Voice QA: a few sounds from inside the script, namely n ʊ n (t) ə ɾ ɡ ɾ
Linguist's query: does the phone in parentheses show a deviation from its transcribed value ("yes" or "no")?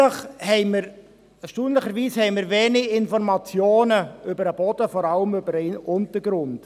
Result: no